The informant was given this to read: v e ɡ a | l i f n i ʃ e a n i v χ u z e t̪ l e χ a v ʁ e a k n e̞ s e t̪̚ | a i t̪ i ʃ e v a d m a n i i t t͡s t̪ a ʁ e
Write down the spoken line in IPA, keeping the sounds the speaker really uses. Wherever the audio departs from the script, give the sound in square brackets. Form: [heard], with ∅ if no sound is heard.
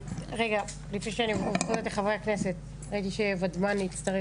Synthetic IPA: [ʁ] e ɡ a | l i f n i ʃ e a n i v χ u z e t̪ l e χ a v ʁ e a k n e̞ s e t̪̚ | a i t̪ i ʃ e v a d m a n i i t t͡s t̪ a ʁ e